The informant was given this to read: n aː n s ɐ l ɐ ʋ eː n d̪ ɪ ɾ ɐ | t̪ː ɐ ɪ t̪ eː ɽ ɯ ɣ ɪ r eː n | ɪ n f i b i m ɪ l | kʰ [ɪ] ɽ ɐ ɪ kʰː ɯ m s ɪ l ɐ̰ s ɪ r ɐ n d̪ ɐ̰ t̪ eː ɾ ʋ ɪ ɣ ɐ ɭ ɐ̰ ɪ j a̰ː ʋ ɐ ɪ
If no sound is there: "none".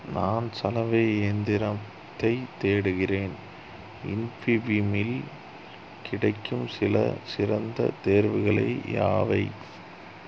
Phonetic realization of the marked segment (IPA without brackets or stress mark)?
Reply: ɪ